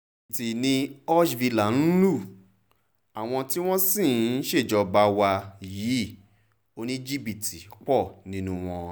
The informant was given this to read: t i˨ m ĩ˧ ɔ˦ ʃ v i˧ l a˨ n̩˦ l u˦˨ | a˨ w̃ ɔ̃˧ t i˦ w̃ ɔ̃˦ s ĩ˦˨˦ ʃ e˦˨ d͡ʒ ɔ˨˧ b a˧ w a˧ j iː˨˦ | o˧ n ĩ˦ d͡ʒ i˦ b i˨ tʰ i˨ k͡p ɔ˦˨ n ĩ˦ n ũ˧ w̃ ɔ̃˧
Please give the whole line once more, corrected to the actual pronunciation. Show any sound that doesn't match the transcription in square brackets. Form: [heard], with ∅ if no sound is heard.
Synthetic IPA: t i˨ [n] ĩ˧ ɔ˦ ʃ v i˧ l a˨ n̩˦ l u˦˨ | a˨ w̃ ɔ̃˧ t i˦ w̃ ɔ̃˦ s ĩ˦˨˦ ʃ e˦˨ d͡ʒ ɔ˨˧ b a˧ w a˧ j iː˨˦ | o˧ n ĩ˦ d͡ʒ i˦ b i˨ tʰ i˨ k͡p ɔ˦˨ n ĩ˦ n ũ˧ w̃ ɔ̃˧